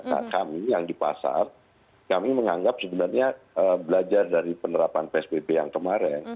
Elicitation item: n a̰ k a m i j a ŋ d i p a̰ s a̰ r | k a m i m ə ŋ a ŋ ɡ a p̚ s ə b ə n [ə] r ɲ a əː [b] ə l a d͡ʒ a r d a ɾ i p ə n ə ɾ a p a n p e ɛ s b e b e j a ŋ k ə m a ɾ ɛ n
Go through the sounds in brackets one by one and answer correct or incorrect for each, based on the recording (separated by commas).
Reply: incorrect, correct